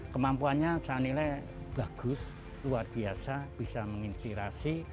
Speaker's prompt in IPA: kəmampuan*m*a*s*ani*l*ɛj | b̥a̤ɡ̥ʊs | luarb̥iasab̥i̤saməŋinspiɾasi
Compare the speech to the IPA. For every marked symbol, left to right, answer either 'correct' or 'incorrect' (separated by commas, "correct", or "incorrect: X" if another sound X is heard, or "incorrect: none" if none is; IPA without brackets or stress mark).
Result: incorrect: ɲ, correct, correct